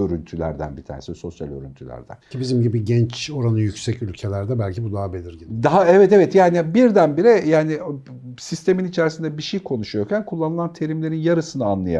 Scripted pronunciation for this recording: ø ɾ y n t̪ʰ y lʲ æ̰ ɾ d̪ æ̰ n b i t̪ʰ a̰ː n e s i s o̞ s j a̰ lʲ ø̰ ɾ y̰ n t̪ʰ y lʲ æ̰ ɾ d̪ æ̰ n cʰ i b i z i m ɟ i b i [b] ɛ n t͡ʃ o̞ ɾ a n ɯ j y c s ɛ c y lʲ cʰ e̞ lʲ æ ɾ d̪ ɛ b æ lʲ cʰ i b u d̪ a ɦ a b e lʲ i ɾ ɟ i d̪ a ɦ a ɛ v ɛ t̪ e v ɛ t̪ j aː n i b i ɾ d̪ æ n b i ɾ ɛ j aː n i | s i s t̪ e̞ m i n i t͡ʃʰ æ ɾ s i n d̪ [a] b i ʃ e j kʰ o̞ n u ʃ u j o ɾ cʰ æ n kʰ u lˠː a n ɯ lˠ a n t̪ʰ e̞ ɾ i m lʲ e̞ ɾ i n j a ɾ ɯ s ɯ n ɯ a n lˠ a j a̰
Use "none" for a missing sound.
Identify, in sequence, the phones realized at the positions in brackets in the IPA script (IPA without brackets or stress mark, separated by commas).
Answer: ɟ, ɛ